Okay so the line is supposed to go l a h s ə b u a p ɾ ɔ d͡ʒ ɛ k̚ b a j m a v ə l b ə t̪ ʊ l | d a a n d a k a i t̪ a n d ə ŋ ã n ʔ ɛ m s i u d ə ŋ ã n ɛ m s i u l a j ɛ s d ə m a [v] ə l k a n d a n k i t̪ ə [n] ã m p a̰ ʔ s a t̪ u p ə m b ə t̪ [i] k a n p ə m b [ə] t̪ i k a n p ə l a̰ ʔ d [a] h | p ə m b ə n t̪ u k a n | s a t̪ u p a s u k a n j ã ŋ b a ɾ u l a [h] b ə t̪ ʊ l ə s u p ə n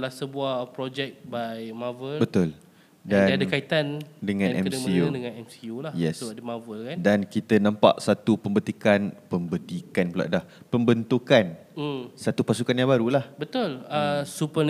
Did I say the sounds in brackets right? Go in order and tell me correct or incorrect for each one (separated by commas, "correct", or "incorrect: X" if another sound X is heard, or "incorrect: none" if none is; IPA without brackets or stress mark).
correct, correct, correct, correct, correct, correct